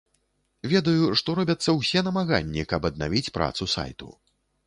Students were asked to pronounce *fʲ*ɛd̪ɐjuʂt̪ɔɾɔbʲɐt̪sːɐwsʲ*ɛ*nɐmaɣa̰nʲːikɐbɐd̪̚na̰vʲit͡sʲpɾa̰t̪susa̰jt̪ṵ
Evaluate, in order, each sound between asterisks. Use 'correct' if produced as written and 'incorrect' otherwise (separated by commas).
incorrect, correct